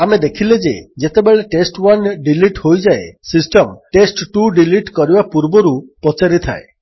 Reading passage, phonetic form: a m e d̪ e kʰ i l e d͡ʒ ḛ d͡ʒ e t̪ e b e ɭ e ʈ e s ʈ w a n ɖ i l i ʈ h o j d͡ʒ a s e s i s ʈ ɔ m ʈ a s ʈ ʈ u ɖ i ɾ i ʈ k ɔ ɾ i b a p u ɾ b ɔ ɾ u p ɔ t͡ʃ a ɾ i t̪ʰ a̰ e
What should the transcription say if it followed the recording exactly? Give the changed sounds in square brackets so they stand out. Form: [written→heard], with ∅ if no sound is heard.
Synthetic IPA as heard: a m e d̪ e kʰ i l e d͡ʒ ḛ d͡ʒ e t̪ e b e ɭ e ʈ e s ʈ w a n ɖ i l i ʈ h o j d͡ʒ a [s→∅] e s i s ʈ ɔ m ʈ [a→e] s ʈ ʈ u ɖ i [ɾ→l] i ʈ k ɔ ɾ i b a p u ɾ b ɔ ɾ u p ɔ t͡ʃ a ɾ i t̪ʰ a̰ e